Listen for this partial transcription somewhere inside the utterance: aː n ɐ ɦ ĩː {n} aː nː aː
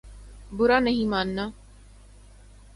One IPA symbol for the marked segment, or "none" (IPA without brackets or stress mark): m